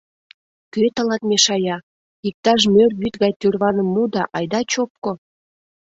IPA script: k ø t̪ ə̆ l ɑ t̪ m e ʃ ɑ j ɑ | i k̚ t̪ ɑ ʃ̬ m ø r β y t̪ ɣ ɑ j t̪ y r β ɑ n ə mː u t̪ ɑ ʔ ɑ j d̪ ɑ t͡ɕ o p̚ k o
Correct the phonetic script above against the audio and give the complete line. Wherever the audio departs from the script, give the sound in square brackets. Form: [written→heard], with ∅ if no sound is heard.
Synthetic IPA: k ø t̪ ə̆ l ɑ t̪ m e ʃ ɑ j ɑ | i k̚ t̪ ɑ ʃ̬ m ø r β y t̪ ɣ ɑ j t̪ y r β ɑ n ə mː u [t̪→d̪] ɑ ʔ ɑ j d̪ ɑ t͡ɕ o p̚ k o